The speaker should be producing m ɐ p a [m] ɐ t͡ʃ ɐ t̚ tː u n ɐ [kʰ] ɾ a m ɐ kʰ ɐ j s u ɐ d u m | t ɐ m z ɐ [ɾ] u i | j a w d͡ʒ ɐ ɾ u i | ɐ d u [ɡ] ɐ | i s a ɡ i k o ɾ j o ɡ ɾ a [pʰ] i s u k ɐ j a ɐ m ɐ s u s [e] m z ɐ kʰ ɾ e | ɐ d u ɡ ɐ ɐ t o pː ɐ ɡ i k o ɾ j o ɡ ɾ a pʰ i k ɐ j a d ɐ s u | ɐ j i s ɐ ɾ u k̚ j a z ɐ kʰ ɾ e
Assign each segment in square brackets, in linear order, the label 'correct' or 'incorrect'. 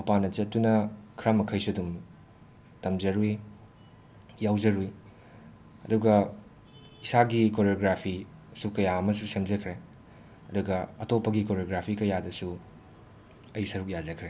incorrect: n, correct, correct, correct, correct, correct

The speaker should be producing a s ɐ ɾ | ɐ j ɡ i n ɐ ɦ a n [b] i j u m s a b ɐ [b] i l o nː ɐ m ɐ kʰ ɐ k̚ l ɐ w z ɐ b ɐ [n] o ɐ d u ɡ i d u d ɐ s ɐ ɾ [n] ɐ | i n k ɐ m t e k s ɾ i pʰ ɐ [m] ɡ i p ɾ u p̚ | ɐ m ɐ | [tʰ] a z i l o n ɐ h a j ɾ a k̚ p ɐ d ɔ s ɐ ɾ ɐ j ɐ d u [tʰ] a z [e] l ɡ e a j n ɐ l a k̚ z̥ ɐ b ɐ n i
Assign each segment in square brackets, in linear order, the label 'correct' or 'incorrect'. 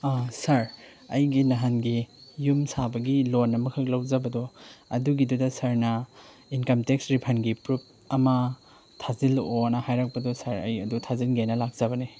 incorrect: ɡ, incorrect: ɡ, incorrect: d, correct, incorrect: n, correct, correct, incorrect: i

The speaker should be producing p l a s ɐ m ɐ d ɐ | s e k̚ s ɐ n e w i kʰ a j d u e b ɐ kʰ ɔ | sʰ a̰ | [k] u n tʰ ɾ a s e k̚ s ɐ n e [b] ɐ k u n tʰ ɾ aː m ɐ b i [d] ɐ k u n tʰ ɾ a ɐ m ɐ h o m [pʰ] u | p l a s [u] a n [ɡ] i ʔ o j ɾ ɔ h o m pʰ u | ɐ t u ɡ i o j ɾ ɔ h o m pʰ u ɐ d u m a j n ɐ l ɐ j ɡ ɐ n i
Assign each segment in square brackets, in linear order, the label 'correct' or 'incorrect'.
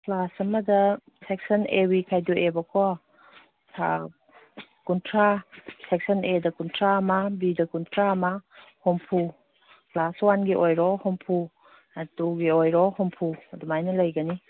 correct, incorrect: d, correct, correct, incorrect: w, correct

